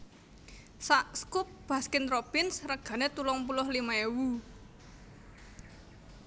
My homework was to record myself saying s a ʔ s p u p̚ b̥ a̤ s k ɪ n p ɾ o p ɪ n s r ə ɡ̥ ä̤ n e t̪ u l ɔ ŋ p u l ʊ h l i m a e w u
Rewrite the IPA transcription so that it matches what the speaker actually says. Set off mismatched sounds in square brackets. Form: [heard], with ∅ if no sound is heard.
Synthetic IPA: s a ʔ s [k] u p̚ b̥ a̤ s k ɪ n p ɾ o p ɪ n s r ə ɡ̥ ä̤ n e t̪ u l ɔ ŋ p u l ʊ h l i m a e w u